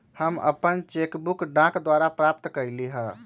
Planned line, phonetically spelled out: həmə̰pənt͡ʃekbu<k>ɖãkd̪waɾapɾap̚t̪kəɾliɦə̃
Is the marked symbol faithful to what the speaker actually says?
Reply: yes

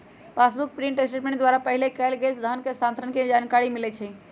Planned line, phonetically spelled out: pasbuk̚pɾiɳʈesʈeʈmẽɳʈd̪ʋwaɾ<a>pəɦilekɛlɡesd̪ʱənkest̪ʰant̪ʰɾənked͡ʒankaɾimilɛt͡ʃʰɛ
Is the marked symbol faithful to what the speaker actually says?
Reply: yes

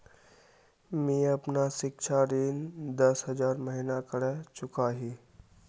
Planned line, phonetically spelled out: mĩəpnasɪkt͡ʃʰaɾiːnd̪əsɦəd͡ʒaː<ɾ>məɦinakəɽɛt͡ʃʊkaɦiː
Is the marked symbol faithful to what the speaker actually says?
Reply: yes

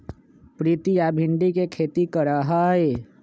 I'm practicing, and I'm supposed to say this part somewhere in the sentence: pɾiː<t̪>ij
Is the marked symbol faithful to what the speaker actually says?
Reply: yes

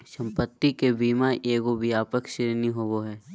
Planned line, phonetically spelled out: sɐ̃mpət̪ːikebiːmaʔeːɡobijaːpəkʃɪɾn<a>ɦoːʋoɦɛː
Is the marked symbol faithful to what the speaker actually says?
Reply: no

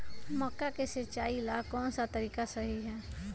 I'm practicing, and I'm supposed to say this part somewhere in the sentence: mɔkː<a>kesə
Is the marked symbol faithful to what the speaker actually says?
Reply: yes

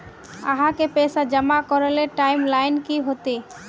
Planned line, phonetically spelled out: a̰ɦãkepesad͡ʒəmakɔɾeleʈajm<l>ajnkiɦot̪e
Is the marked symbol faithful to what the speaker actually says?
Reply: yes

